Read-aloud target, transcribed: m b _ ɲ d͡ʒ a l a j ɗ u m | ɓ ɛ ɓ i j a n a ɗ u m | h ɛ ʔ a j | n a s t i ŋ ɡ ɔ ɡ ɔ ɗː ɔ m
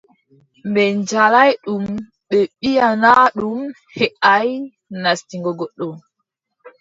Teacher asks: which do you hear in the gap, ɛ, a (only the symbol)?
ɛ